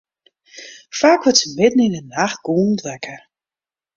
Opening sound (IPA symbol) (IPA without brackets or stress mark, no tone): f